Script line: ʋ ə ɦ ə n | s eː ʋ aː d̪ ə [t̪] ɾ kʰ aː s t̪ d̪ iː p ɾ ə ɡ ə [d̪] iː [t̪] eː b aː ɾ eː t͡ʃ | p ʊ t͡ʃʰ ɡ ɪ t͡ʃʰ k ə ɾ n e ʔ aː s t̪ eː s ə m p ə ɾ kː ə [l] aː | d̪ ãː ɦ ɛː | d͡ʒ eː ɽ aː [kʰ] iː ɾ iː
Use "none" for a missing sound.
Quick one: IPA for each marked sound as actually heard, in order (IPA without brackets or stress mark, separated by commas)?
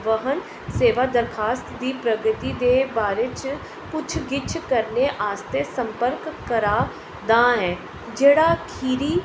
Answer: none, t̪, d̪, ɾ, kʰ